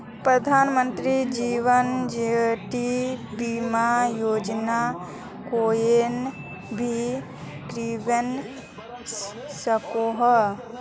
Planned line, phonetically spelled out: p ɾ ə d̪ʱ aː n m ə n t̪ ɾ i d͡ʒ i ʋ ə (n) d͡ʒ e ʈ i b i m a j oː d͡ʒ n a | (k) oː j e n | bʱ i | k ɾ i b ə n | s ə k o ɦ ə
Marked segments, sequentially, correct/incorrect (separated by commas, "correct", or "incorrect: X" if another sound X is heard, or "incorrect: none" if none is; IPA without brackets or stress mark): correct, correct